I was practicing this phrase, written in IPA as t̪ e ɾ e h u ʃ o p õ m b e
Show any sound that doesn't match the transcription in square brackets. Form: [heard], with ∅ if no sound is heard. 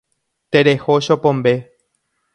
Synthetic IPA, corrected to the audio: t̪ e ɾ e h [o] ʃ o p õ m b e